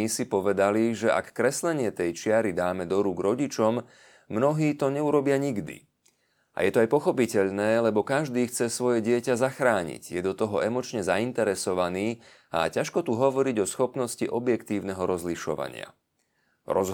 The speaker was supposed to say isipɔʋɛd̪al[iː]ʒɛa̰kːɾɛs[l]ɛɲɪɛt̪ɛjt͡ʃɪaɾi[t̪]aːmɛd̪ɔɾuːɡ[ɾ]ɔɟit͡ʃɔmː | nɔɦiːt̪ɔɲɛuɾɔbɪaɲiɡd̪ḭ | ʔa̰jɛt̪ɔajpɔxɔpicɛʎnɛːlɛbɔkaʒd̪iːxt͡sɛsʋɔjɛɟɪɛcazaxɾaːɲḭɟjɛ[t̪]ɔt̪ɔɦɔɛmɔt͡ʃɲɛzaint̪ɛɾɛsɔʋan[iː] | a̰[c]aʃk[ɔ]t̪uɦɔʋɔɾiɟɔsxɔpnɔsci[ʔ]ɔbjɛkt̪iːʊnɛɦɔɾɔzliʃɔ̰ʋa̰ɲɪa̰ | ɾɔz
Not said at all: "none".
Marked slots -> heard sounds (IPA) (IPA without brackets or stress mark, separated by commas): i, l, d̪, ɾ, d̪, iː, c, ɔ, ʔ